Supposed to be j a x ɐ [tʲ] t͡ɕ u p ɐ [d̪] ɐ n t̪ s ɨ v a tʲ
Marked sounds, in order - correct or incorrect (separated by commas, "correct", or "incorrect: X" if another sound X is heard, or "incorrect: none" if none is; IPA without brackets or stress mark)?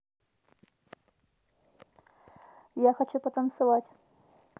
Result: incorrect: none, incorrect: t̪